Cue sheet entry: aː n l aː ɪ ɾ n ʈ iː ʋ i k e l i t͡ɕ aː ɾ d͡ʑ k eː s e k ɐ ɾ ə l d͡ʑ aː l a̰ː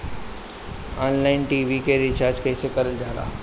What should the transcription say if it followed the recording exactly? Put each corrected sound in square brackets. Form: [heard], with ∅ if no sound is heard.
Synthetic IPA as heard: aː n l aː ɪ [∅] n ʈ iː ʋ i k e [ɾ] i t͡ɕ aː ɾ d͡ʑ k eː s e k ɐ ɾ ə l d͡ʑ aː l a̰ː

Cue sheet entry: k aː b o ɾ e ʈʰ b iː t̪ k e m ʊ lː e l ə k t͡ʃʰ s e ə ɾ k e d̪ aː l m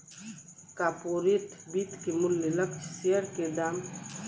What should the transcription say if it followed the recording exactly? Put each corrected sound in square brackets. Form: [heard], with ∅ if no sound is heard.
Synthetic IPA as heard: k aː [p] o ɾ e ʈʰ b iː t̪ k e m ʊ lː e l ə k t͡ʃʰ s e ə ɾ k e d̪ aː [∅] m

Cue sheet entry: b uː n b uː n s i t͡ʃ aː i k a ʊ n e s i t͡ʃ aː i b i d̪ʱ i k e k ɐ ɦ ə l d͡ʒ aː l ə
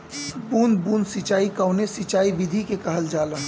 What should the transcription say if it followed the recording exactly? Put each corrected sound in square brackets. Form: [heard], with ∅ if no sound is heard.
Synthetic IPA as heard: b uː n b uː n s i t͡ʃ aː i k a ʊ n e s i t͡ʃ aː i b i d̪ʱ i k e k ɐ ɦ ə l d͡ʒ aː l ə

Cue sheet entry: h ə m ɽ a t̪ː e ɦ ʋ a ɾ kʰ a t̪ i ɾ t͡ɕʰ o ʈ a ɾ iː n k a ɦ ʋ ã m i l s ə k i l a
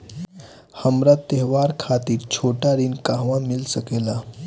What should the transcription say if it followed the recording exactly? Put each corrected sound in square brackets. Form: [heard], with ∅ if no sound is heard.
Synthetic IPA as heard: h ə m [ɾ] a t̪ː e ɦ ʋ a ɾ kʰ a t̪ [iː] ɾ t͡ɕʰ o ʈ a ɾ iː n k a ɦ ʋ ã m i l s ə k [e] l a

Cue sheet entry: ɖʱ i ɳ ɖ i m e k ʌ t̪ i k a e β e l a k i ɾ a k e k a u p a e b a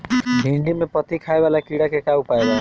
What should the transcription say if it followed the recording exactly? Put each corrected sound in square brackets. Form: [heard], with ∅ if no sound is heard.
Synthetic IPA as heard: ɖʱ i ɳ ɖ i m e [p] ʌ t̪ i [kʰ] a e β [a] l a k i [ɽ] a k e k a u p a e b a

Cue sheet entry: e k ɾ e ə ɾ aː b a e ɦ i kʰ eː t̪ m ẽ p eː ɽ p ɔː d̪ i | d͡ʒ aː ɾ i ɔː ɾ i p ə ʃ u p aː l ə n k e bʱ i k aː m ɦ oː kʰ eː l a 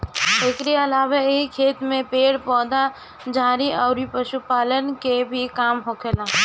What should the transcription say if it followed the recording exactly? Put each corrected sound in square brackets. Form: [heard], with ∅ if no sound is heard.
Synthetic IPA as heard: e k ɾ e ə [l] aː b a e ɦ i kʰ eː t̪ m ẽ p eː ɽ p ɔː d̪ [a] | d͡ʒ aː ɾ i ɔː ɾ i p ə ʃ u p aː l ə n k e bʱ i k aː m ɦ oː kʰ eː l a

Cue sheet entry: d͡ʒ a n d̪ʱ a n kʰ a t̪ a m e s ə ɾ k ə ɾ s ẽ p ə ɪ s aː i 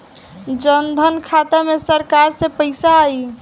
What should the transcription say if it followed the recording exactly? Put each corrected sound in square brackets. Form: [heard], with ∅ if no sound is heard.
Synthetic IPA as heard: d͡ʒ [ə] n d̪ʱ [ə] n kʰ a t̪ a m e s ə ɾ k [a] ɾ s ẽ p ə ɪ s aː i

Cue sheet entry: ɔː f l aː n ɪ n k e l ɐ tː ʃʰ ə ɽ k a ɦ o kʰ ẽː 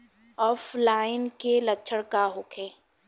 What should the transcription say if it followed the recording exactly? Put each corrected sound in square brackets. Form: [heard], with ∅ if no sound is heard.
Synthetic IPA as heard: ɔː f l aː [∅] ɪ n k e l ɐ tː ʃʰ ə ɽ k a ɦ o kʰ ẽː

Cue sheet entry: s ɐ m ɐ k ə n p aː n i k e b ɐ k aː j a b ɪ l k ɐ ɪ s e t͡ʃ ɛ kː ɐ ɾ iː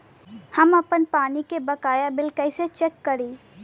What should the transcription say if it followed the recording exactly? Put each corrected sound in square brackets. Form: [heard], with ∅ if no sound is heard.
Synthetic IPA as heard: [h] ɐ m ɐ [p] ə n p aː n i k e b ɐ k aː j a b ɪ l k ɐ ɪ s e t͡ʃ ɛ kː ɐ ɾ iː

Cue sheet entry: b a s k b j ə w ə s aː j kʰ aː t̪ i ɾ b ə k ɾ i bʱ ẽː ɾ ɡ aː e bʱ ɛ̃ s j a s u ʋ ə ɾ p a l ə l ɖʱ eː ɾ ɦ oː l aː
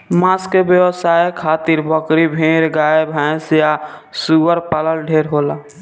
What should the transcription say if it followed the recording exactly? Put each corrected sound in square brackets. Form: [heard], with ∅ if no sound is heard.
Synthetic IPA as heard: [m] a s k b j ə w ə s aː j kʰ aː t̪ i ɾ b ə k ɾ i bʱ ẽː ɾ ɡ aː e bʱ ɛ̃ s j a s u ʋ ə ɾ p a l ə l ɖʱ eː ɾ ɦ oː l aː

